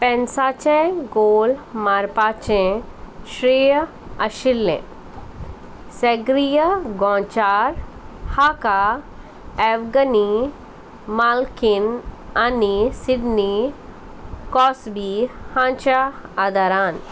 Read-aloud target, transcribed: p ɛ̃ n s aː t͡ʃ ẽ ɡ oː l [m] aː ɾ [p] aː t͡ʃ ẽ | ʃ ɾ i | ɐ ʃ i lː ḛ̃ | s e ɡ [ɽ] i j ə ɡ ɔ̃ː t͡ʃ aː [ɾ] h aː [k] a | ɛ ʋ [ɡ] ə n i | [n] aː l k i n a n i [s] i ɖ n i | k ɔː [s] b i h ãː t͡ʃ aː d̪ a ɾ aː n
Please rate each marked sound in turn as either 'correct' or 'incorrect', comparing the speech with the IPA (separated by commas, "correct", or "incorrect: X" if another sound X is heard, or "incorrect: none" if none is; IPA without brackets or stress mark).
correct, correct, incorrect: ɾ, correct, correct, correct, incorrect: m, correct, correct